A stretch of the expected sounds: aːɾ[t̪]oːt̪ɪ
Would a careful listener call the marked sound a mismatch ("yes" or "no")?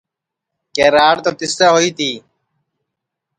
no